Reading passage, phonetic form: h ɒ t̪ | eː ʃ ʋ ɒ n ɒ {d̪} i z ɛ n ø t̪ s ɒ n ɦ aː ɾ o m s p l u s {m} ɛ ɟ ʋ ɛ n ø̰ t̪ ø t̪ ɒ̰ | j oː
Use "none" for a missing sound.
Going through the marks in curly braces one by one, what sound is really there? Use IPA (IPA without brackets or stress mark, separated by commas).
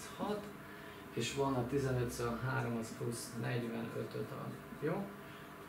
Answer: t̪, n